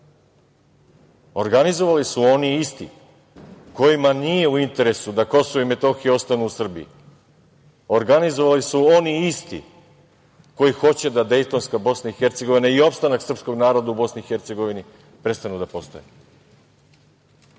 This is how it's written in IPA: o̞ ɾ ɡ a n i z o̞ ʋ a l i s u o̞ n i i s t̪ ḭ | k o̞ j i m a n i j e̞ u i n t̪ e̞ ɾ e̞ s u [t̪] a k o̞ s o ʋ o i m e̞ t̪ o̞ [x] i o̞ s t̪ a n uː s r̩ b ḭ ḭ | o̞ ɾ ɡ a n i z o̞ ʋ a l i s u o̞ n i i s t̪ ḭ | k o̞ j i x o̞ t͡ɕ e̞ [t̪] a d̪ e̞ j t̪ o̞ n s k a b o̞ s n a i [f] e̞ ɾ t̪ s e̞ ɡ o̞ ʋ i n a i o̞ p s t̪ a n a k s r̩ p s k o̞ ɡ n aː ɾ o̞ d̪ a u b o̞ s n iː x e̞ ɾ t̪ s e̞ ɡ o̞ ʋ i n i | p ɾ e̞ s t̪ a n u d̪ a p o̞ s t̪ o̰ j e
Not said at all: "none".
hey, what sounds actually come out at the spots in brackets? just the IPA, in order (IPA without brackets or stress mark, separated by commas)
d̪, x, d̪, x